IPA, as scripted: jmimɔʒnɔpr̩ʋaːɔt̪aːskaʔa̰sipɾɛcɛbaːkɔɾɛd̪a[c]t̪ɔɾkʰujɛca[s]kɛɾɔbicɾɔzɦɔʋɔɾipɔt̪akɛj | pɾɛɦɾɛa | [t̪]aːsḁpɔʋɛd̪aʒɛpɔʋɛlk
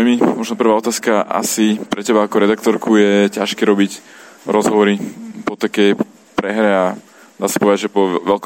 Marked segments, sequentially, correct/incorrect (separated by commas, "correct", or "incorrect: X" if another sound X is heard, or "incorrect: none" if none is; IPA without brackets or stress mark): incorrect: k, incorrect: ʃ, incorrect: d̪